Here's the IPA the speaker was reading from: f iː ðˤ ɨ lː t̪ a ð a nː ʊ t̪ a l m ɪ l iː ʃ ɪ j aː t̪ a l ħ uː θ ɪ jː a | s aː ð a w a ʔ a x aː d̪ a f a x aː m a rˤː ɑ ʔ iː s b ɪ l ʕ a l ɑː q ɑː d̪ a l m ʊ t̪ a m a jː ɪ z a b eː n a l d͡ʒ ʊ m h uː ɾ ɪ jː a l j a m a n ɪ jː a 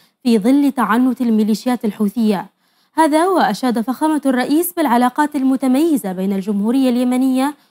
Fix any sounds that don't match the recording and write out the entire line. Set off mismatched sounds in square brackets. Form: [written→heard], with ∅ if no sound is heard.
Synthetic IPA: f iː ðˤ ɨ lː t̪ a [ð→ʕ] a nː ʊ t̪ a l m ɪ l iː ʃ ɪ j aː t̪ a l ħ uː θ ɪ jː a | [s→h] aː ð a w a ʔ a [x→ʃ] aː d̪ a f a x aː m a rˤː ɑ ʔ iː s b ɪ l ʕ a l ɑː q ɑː [d̪→t̪] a l m ʊ t̪ a m a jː ɪ z a b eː n a l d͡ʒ ʊ m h uː ɾ ɪ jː a l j a m a n ɪ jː a